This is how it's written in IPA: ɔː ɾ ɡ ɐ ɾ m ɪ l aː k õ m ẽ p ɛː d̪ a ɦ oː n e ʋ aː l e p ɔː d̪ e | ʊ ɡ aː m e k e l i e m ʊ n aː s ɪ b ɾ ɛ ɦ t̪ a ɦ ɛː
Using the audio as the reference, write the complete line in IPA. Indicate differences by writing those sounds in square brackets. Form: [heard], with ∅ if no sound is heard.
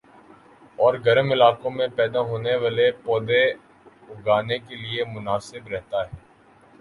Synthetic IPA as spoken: ɔː ɾ ɡ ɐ ɾ m ɪ l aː k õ m ẽ p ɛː d̪ a ɦ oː n e ʋ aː l e p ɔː d̪ e | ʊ ɡ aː [n] e k e l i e m ʊ n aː s ɪ b ɾ ɛ ɦ t̪ a ɦ ɛː